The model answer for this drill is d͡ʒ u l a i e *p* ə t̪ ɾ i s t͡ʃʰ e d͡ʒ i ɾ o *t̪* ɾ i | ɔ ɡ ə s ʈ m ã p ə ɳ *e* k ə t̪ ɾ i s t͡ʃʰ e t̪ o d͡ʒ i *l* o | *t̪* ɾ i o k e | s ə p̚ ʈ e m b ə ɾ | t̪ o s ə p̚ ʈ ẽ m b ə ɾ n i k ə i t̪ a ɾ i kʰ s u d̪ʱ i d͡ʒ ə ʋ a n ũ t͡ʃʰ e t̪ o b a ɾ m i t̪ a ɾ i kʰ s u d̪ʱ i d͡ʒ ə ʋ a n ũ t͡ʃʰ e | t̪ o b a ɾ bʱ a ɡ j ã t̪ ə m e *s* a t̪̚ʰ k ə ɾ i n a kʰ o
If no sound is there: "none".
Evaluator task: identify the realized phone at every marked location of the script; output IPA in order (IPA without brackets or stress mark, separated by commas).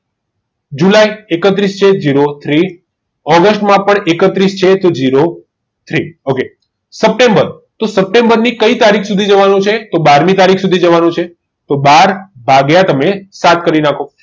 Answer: k, t̪ʰ, e, ɾ, t̪ʰ, s